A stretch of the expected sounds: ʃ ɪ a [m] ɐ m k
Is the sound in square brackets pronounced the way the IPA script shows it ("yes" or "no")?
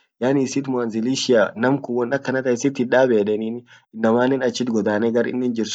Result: no